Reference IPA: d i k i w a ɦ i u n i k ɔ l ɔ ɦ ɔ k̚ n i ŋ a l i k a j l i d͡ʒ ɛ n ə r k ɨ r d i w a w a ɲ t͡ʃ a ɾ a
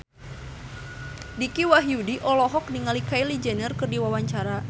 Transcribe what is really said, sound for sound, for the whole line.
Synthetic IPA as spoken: d i k i w a ɦ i u d i ʔ ɔ l ɔ ɦ ɔ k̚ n i ŋ a l i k a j l i d͡ʒ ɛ n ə r k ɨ r d i w a w a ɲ t͡ʃ a ɾ a